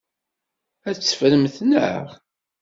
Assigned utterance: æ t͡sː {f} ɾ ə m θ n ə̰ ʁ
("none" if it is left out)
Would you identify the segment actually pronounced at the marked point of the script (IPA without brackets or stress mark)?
f